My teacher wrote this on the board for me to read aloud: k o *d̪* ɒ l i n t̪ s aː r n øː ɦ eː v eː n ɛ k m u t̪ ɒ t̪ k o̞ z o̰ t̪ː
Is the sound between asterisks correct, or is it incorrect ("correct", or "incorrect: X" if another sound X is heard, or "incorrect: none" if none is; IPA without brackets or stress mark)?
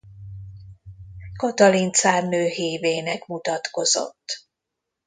incorrect: t̪